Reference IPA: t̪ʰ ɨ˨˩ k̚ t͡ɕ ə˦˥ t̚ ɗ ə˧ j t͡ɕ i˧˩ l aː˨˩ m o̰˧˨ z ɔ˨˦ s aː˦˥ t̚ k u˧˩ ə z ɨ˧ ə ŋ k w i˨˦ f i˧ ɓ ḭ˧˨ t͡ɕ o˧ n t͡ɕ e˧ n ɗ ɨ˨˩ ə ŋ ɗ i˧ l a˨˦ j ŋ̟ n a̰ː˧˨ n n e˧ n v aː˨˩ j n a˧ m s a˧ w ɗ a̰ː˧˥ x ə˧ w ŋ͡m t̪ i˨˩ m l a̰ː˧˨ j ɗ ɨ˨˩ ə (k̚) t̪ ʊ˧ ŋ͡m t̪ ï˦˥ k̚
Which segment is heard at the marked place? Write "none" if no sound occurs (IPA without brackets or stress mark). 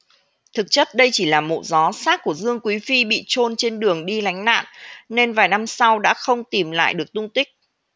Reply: k̚